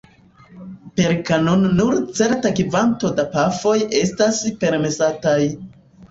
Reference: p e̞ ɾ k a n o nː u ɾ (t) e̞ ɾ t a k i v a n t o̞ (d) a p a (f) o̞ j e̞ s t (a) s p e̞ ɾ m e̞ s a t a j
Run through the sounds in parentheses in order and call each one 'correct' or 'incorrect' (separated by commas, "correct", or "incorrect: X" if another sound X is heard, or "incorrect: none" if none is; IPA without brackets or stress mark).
incorrect: t͡s, correct, correct, correct